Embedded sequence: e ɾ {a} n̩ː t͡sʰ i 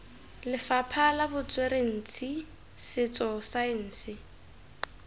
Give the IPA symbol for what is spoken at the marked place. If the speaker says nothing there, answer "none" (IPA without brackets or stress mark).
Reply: e